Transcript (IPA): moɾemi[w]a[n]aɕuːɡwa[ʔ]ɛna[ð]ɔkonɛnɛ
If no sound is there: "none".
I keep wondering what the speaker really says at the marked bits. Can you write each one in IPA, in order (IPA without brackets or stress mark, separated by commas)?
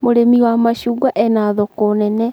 w, m, ʔ, ð